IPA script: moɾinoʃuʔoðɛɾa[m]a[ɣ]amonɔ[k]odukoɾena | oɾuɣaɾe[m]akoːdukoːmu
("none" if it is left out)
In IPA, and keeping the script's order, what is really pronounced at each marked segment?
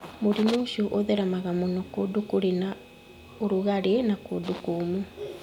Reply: m, ɣ, k, n

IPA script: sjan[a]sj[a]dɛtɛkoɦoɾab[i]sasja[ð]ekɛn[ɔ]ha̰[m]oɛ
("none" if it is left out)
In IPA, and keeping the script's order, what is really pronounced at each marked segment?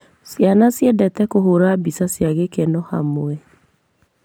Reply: a, ɛ, i, ɣ, ɔ, m

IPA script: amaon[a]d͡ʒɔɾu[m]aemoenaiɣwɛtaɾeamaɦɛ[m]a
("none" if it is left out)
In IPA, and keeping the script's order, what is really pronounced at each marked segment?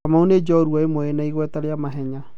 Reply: e, none, ɲ

